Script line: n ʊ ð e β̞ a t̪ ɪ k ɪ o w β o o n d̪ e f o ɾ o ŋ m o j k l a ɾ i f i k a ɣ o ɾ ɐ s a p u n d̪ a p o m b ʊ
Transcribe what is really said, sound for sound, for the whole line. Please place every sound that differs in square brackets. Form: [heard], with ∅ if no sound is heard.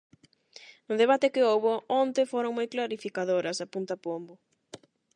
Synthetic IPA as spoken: n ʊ ð e β̞ a t̪ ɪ k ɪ o w β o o n [t̪] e f o ɾ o ŋ m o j k l a ɾ i f i k a [ð] o ɾ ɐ s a p u n [t̪] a p o m b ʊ